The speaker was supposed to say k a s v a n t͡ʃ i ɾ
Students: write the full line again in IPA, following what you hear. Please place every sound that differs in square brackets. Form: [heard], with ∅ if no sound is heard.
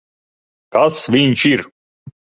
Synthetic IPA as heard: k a s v [i] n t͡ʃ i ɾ